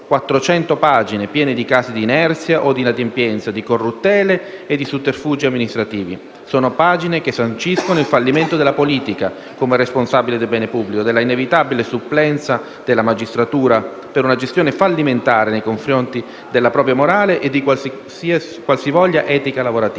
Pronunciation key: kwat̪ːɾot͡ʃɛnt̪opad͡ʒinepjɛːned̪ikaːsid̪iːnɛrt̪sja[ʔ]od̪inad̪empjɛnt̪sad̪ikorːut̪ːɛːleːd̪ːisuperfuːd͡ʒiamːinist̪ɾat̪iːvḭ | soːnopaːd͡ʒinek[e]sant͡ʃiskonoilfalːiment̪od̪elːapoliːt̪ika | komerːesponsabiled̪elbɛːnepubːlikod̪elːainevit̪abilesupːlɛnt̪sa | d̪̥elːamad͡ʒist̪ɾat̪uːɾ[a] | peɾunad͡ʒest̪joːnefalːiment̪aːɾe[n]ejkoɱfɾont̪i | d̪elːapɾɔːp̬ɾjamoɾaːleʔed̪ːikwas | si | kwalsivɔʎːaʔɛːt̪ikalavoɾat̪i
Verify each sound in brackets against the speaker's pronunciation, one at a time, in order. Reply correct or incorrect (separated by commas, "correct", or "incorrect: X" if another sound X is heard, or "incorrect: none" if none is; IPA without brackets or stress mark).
correct, correct, correct, correct